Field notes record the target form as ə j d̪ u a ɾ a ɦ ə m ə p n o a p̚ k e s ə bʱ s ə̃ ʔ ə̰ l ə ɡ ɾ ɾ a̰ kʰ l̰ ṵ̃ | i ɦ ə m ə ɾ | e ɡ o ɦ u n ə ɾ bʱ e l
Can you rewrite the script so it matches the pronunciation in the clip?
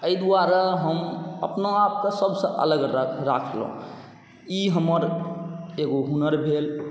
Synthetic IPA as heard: ə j d̪ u a ɾ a ɦ ə m ə p n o a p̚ k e s ə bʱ s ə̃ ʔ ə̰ l ə ɡ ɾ ɾ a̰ kʰ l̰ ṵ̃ | i ɦ ə m ə ɾ | e ɡ o ɦ u n ə ɾ bʱ e l